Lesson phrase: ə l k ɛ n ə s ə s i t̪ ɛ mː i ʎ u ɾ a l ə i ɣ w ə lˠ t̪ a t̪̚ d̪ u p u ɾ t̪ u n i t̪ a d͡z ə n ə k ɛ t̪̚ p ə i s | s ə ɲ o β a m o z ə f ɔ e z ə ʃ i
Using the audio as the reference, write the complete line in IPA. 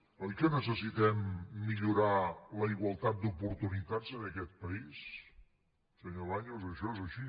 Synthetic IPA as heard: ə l k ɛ n ə s ə s i t̪ ɛ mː i ʎ u ɾ a l ə i ɣ w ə lˠ t̪ a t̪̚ d̪ u p u ɾ t̪ u n i t̪ a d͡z ə n ə k ɛ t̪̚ p ə i s | s ə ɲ o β a ɲ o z ə ʃ ɔ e z ə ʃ i